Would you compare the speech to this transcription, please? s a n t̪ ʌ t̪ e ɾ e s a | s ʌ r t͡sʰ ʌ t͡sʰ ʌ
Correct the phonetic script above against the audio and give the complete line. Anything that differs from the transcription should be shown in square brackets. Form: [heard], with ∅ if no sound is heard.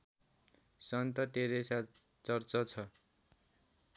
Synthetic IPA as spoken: s [ʌ] n t̪ ʌ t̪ e ɾ e s a | [t͡s] ʌ r [t͡s] ʌ t͡sʰ ʌ